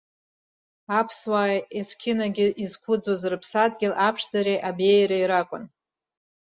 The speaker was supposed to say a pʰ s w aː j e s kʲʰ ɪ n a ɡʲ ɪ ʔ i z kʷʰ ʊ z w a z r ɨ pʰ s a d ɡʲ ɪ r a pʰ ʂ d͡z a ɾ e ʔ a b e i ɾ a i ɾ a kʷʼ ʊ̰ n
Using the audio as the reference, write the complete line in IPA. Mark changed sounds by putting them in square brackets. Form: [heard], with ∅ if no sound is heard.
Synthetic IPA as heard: a pʰ s w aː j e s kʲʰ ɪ n a ɡʲ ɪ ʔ i z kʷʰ ʊ [d͡z] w a z r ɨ pʰ s a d ɡʲ ɪ [l] a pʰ ʂ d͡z a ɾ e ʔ a b e [j] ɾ a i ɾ a kʷʼ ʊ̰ n